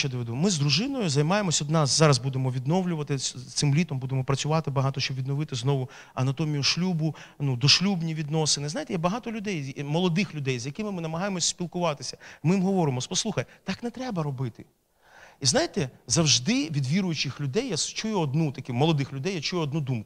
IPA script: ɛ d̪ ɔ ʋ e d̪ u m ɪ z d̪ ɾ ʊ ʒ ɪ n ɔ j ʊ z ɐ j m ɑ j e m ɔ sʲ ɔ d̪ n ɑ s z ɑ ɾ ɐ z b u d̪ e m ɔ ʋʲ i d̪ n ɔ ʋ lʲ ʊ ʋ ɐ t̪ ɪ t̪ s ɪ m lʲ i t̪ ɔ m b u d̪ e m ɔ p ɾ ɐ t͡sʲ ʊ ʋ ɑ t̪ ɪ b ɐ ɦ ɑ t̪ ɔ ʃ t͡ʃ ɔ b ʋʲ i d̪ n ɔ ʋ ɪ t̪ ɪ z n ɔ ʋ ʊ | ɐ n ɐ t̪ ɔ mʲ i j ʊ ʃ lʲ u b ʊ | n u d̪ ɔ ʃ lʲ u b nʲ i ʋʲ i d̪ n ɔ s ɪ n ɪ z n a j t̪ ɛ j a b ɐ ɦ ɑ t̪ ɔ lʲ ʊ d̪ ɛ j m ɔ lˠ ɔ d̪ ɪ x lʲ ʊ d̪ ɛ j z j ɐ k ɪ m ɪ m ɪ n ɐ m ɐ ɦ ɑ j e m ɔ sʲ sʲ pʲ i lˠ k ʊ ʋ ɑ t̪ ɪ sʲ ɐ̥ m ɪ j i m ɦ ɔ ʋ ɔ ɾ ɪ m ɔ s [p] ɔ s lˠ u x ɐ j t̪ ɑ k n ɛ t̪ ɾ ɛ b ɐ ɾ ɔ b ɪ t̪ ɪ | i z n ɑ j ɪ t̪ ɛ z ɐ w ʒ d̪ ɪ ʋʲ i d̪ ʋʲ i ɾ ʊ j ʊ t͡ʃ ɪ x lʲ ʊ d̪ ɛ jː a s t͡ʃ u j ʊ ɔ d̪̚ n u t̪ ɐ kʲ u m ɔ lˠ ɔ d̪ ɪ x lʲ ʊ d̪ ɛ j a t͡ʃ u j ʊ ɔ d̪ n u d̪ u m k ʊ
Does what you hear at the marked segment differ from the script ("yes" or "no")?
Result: no